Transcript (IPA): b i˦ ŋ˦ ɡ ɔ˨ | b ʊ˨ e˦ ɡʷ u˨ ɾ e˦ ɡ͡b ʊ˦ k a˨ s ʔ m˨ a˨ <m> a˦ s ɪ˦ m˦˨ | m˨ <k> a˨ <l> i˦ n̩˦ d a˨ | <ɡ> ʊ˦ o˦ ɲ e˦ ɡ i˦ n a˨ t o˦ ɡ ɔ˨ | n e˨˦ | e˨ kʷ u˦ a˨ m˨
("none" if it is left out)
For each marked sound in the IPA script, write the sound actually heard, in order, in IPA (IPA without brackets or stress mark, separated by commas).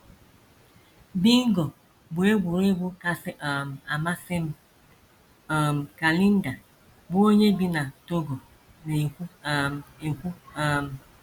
m, k, l, b